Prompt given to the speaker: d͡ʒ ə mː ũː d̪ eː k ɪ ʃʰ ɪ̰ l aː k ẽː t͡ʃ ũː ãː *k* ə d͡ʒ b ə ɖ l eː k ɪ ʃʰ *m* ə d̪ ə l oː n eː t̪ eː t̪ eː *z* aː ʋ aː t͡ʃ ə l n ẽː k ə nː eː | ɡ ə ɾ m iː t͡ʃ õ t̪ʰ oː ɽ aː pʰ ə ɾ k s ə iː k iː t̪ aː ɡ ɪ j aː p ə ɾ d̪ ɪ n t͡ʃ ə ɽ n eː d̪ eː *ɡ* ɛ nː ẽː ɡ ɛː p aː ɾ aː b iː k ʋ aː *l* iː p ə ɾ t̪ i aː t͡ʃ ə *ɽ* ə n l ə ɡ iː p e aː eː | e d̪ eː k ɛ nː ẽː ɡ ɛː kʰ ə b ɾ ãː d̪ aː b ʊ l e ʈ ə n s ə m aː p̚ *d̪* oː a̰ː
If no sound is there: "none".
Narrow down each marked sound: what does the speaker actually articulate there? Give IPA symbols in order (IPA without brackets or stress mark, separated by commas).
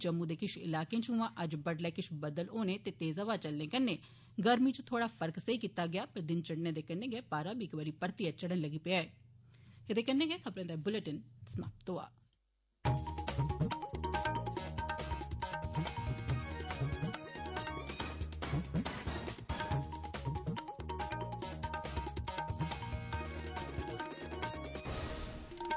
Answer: ʔ, b, z, k, ɾ, ɽ, t̪